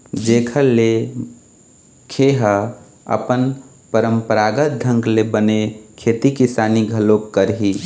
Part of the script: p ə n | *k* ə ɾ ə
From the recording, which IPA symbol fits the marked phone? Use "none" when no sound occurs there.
p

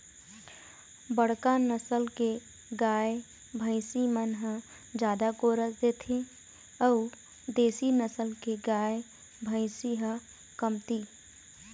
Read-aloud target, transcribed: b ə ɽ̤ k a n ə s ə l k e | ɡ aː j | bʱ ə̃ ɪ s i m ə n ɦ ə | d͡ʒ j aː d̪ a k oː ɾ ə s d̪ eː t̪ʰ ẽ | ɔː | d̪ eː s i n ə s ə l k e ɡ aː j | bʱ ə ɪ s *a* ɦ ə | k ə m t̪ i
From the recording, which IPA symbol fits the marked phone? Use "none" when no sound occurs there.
i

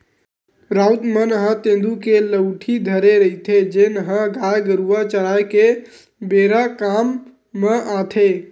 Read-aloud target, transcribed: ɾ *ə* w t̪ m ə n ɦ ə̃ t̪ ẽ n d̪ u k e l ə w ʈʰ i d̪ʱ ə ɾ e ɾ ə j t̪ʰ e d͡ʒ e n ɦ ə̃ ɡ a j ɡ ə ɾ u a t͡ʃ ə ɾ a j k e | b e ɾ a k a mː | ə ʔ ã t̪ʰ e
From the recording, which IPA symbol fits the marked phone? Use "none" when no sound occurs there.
a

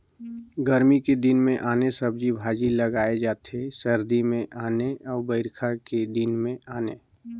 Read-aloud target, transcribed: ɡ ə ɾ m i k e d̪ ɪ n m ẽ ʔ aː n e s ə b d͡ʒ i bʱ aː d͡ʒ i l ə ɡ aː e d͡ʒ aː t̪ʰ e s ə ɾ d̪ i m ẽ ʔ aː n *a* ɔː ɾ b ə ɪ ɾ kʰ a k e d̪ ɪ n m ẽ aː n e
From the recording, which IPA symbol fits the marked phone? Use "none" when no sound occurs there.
e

